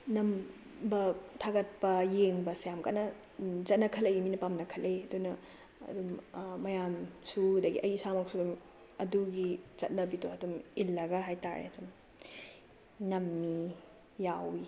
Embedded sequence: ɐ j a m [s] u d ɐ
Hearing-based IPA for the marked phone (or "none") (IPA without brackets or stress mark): s